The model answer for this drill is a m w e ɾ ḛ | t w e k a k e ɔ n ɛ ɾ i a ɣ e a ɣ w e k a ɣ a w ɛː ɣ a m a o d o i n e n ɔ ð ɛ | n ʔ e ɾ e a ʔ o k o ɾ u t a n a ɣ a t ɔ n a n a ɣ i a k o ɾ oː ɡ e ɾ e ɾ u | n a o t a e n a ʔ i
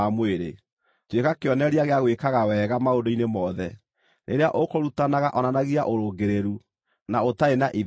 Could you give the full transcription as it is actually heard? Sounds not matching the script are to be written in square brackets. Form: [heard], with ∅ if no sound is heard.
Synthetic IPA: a m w e ɾ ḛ | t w e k a k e ɔ n ɛ ɾ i a ɣ e a ɣ w e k a ɣ a w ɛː ɣ a m a o d o i n e [m] ɔ ð ɛ | n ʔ e ɾ e a ʔ o k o ɾ u t a n a ɣ a [ʔ] ɔ n a n a ɣ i a [ʔ] o ɾ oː ɡ e ɾ e ɾ u | n a o t a e n a ʔ i